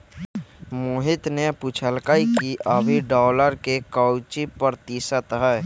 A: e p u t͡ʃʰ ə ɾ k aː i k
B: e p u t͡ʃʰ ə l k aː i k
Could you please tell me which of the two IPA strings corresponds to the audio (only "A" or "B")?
B